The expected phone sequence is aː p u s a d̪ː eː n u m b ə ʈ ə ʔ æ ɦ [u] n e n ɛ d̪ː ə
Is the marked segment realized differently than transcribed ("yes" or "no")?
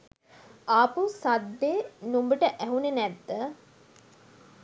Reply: no